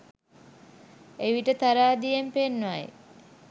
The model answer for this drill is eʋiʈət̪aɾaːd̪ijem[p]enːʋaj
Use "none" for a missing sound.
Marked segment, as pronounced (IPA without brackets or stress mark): p